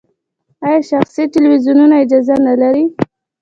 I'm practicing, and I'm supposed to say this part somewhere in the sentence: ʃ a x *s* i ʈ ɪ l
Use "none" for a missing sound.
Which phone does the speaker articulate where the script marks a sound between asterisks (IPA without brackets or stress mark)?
s